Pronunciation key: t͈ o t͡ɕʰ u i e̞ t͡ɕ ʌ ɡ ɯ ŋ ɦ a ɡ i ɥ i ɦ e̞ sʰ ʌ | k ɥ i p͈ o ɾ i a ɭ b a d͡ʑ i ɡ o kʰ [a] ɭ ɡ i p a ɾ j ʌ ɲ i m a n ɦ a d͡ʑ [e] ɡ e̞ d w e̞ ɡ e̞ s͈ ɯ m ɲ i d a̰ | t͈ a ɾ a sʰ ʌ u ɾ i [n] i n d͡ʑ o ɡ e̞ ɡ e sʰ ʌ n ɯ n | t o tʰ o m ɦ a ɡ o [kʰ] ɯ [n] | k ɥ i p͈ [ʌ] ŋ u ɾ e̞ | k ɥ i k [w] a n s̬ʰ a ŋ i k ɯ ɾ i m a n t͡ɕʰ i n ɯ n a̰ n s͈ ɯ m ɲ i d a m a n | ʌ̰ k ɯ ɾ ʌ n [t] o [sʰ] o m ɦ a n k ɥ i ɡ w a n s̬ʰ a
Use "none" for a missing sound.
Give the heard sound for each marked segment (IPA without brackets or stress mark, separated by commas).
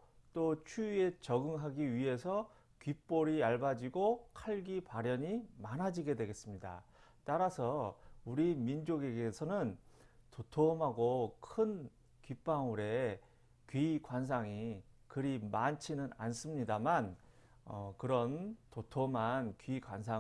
a, i, m, kʰ, n, a, w, t, tʰ